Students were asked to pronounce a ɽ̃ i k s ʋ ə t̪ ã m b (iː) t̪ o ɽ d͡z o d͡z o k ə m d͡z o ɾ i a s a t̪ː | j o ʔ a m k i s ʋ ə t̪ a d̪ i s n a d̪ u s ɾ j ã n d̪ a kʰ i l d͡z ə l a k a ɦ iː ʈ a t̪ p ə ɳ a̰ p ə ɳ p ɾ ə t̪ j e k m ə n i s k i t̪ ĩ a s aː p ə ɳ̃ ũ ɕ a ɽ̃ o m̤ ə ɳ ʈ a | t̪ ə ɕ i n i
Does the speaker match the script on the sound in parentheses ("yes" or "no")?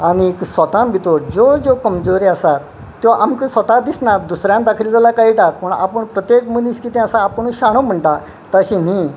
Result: no